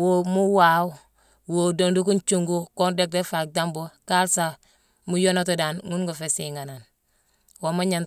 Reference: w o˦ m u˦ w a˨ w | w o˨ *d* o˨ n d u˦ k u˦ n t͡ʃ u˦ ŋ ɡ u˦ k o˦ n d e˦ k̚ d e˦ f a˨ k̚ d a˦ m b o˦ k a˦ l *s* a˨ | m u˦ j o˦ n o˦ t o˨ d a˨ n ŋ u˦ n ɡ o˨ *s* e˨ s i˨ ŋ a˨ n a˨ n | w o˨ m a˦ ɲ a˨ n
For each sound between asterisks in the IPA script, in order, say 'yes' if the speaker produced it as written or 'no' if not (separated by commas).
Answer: yes, yes, no